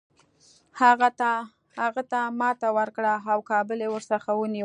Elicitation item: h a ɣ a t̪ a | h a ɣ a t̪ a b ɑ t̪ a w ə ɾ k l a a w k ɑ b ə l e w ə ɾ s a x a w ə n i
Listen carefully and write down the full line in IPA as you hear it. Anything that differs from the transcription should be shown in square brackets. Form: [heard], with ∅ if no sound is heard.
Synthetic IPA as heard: h a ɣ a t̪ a | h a ɣ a t̪ a [m] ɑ t̪ a w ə ɾ k [ɽ] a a w k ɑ b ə l e w ə ɾ s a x a w ə n i